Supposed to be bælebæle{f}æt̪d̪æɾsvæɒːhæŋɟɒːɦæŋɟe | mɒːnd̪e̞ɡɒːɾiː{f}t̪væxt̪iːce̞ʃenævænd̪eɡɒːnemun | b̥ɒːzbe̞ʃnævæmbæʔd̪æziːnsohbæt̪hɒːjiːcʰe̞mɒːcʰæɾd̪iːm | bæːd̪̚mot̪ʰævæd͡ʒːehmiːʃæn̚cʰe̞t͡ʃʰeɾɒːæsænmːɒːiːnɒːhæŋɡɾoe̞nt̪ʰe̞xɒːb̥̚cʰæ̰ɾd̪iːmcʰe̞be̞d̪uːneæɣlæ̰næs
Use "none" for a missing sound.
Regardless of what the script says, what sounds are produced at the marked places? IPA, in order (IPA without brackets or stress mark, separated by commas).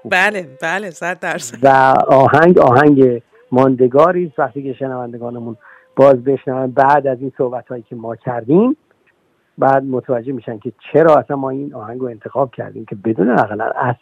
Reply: s, s